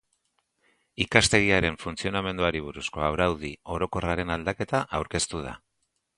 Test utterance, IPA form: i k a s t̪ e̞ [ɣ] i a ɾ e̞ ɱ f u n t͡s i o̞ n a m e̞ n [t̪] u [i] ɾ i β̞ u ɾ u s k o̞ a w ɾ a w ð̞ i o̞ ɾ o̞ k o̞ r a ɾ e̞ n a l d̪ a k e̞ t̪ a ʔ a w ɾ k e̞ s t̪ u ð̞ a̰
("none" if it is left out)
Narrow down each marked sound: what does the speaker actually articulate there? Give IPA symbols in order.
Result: ɣ, d̪, a

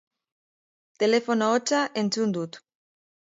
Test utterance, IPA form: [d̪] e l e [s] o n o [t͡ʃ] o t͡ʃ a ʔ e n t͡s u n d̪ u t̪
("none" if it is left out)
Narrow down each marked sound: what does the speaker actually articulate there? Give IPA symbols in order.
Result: t̪, f, none

